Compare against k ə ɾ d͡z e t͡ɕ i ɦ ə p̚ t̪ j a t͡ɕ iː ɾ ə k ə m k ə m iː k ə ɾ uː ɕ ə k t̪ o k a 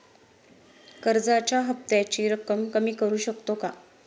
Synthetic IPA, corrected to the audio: k ə ɾ d͡z a t͡ɕ a ɦ ə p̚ t̪ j a t͡ɕ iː ɾ ə k ə m k ə m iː k ə ɾ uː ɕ ə k t̪ o k a